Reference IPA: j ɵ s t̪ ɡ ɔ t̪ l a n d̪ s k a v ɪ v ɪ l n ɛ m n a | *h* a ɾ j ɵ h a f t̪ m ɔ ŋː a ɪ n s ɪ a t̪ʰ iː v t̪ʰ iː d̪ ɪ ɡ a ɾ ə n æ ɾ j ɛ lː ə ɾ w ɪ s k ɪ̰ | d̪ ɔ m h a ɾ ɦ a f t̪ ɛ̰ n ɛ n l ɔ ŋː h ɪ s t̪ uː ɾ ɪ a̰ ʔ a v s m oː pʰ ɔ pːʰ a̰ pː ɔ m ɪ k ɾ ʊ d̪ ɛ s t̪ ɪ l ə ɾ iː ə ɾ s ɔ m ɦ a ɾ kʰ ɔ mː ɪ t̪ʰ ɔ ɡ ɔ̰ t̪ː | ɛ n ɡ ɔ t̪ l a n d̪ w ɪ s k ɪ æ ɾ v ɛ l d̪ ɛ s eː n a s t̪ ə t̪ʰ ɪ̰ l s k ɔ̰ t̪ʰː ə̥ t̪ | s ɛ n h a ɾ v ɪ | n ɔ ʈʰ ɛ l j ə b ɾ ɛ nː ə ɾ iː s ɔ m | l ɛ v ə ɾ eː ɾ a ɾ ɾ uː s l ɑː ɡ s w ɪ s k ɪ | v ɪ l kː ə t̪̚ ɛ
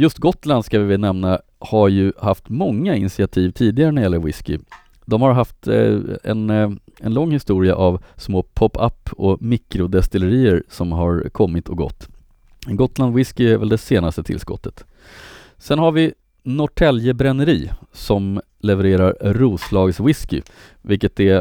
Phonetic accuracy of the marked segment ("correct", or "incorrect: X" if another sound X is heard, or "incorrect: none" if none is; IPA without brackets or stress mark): correct